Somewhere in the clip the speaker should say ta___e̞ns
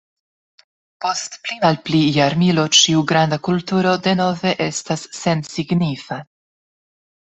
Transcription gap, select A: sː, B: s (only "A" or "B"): A